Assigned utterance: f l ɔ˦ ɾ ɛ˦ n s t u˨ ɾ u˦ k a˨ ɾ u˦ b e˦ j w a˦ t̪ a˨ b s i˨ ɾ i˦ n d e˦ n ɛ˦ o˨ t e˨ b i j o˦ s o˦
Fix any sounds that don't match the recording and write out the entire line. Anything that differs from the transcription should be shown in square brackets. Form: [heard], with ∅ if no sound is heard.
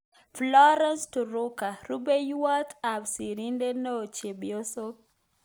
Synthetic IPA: f l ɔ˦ ɾ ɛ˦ n s t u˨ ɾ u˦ k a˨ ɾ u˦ b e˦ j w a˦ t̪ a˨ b s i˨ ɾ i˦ n d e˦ n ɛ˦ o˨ [t͡ʃ] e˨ b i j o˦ s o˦